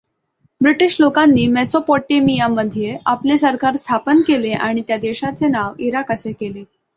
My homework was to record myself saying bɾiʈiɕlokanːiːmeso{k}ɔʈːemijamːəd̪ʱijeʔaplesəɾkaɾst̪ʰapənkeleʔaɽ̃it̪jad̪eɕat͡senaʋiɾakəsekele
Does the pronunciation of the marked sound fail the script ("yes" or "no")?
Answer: yes